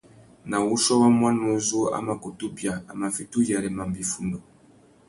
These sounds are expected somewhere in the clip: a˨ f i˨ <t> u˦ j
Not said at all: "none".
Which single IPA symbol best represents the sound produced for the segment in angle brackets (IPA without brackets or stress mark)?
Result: t